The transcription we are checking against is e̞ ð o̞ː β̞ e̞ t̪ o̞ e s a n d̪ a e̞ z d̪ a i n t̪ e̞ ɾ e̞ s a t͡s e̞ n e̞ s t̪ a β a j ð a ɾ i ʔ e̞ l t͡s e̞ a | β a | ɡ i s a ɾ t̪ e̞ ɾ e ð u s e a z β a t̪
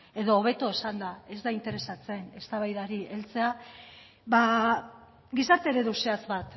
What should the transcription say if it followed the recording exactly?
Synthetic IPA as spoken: e̞ ð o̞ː β̞ e̞ t̪ o̞ e s a n d̪ a e̞ z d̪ a i n t̪ e̞ ɾ e̞ s a t͡s e̞ n e̞ s t̪ a β a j ð a ɾ i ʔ e̞ l t͡s e̞ a | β a | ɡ i s a ɾ t̪ e̞ ɾ e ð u s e a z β a t̪